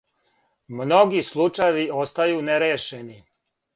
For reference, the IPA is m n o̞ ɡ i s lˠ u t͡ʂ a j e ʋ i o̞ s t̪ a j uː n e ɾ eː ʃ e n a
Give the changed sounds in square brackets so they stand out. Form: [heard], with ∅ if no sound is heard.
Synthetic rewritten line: m n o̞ ɡ i s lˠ u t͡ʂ a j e ʋ i o̞ s t̪ a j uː n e ɾ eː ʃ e n [i]